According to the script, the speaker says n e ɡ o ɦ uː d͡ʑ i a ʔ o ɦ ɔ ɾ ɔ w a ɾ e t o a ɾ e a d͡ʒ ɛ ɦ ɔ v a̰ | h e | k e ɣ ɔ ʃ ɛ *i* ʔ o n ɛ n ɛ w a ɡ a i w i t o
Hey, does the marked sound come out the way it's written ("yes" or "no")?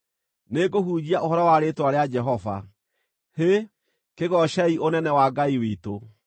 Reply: yes